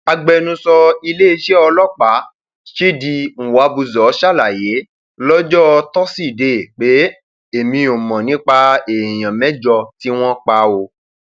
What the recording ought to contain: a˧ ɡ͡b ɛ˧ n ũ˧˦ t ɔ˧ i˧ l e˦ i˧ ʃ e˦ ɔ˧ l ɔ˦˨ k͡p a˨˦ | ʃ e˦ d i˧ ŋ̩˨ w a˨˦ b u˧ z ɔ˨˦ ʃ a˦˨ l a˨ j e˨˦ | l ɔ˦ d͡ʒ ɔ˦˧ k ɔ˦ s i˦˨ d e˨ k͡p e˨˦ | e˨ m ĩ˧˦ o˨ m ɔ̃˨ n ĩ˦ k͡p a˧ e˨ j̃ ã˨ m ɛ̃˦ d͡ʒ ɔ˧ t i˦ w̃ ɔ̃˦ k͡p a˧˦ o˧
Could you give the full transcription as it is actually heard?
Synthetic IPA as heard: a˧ ɡ͡b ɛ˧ n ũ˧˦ s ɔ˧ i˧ l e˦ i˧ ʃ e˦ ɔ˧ l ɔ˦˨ k͡p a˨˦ | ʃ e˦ d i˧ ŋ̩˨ w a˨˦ b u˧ z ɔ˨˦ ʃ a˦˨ l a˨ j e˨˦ | l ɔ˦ d͡ʒ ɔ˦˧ t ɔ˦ s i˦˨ d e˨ k͡p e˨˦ | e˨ m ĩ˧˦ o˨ m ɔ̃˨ n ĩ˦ k͡p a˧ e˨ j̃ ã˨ m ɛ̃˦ d͡ʒ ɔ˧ t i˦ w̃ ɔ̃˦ k͡p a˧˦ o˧